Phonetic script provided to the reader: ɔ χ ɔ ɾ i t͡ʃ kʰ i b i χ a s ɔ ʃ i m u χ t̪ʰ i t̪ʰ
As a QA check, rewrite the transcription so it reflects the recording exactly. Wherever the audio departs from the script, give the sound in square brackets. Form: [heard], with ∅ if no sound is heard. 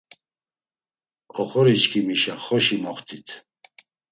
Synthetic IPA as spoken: ɔ χ ɔ ɾ i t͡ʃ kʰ i [m] i [ʃ] a [χ] ɔ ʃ i m [ɔ] χ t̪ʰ i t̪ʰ